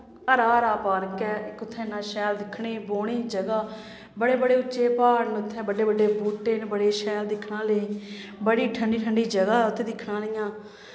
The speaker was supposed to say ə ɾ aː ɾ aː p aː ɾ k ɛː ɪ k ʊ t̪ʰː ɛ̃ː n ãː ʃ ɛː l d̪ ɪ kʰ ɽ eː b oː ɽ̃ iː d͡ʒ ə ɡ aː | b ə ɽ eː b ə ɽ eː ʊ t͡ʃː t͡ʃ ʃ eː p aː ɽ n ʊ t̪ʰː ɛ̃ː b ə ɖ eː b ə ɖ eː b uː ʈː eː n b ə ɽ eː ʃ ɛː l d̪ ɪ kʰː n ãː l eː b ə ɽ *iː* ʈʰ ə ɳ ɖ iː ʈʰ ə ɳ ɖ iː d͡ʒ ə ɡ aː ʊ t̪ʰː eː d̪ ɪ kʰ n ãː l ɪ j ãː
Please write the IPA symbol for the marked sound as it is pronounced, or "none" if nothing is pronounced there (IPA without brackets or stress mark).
iː